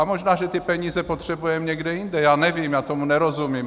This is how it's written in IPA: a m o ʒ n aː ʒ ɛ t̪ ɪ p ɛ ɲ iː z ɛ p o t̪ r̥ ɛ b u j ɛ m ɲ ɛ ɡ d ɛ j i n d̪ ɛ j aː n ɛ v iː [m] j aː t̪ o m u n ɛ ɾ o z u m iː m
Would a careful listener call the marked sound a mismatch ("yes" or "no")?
no